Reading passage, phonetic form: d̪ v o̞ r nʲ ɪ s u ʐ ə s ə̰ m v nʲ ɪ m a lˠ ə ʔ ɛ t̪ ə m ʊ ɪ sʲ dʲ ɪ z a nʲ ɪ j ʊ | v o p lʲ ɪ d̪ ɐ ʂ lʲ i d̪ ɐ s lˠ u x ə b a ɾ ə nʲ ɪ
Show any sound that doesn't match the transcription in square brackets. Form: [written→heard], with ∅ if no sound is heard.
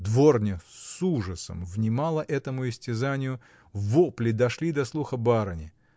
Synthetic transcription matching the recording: d̪ v o̞ r nʲ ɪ s u ʐ ə s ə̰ m v nʲ ɪ m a lˠ ə ʔ ɛ t̪ ə m ʊ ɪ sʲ [dʲ→tʲ] ɪ z a nʲ ɪ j ʊ | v o p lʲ ɪ d̪ ɐ ʂ lʲ i d̪ ɐ s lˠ u x ə b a ɾ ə nʲ ɪ